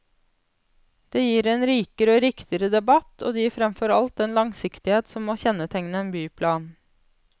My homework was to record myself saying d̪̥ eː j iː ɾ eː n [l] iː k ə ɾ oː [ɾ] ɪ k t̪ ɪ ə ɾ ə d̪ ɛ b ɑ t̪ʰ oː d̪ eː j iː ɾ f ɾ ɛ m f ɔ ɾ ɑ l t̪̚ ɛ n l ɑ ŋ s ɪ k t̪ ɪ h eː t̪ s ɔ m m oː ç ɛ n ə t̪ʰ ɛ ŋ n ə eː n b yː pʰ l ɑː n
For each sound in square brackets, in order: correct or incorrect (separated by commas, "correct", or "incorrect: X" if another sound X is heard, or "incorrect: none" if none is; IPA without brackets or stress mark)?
incorrect: ɾ, correct